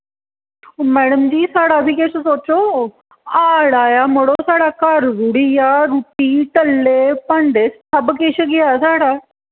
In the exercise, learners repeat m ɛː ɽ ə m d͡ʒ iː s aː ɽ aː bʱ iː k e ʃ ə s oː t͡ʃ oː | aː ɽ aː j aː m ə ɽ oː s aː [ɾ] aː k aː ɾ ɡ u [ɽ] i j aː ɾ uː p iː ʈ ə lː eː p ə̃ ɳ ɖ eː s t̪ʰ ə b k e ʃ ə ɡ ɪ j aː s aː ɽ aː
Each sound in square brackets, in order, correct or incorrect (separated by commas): incorrect, correct